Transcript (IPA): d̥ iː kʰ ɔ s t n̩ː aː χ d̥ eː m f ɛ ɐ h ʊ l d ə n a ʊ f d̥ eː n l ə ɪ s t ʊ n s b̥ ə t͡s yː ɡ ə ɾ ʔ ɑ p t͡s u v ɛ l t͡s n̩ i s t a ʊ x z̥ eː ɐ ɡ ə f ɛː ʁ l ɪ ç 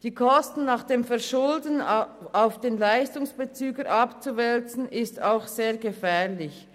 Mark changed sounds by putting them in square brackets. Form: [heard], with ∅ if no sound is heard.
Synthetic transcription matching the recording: d̥ iː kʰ ɔ s t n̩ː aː χ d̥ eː m f ɛ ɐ [ʃ] ʊ l d ə n a ʊ f d̥ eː n l [a] ɪ s t ʊ [ŋ] s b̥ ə t͡s yː ɡ ə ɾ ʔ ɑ p t͡s u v ɛ l t͡s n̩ [ɪ] s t a ʊ x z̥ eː ɐ ɡ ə f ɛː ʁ l ɪ ç